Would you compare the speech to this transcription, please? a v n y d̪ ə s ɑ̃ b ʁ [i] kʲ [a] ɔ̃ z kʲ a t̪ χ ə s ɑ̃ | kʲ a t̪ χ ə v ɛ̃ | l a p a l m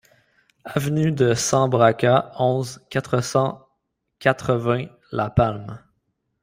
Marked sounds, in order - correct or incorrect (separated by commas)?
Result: incorrect, correct